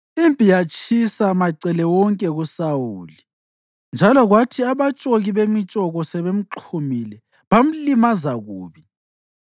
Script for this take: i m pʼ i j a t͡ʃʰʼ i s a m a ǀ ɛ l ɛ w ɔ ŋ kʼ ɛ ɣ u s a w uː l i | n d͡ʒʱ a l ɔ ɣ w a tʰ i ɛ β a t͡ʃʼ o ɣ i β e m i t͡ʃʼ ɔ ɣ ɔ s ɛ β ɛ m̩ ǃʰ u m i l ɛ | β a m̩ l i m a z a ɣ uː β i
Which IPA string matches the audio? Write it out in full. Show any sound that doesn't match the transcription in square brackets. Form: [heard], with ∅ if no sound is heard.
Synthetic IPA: i m pʼ i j a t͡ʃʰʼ i s a m a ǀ ɛ l ɛ w ɔ ŋ kʼ ɛ ɣ u s a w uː l i | n d͡ʒʱ a l ɔ ɣ w a tʰ i [a] β a t͡ʃʼ o ɣ i β e m i t͡ʃʼ ɔ ɣ ɔ s ɛ β [e] m̩ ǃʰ u m i l ɛ | β a m̩ l i m a z a ɣ uː β i